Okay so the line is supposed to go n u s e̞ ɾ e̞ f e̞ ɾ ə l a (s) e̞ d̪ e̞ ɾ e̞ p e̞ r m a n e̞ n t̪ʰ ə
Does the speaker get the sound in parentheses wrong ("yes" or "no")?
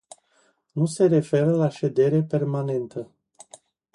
yes